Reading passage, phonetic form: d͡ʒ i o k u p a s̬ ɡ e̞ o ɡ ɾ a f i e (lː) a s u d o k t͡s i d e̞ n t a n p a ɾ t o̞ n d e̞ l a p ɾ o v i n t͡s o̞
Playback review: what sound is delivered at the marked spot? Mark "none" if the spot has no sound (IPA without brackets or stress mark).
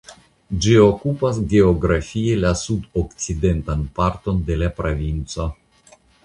l